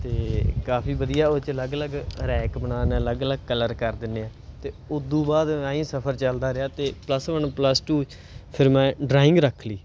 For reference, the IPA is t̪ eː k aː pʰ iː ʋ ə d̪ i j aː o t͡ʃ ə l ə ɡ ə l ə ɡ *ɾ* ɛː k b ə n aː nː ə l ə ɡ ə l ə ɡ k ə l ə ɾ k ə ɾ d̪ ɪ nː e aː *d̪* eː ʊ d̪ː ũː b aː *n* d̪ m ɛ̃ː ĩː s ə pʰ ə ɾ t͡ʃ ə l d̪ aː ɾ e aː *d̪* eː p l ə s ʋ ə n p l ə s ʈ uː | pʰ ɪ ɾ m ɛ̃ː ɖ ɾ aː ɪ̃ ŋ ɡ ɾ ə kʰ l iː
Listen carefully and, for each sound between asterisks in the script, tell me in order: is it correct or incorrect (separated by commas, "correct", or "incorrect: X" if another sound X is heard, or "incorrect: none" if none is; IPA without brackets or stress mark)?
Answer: correct, incorrect: t̪, incorrect: none, incorrect: t̪